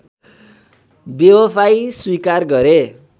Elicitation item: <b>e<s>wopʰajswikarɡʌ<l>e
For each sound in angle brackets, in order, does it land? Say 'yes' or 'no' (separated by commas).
yes, no, no